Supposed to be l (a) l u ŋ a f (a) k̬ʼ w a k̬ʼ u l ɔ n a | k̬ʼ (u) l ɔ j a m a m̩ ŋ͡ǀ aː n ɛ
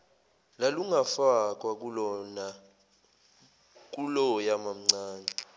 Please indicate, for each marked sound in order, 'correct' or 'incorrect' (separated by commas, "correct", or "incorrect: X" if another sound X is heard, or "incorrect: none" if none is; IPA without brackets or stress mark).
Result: correct, correct, correct